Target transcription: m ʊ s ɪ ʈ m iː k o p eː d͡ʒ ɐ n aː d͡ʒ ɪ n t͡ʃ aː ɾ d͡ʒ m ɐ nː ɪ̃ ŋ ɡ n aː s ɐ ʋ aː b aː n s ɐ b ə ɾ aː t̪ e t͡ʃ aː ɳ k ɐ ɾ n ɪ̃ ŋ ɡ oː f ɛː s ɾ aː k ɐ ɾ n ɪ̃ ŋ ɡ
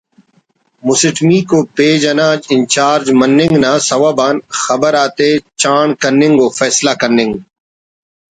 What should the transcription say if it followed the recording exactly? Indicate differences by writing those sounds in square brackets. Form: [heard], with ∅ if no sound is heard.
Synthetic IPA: m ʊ s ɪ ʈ m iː k o p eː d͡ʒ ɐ n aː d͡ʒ ɪ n t͡ʃ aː ɾ d͡ʒ m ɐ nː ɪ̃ ŋ ɡ n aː s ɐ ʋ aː b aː n [x] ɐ b ə ɾ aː t̪ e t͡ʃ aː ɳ k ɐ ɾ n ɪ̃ ŋ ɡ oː f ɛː s [l] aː k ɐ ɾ n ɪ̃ ŋ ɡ